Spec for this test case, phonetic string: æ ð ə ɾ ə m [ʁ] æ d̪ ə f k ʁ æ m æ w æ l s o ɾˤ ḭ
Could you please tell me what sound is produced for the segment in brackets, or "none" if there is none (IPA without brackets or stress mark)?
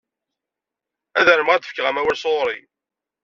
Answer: ʁ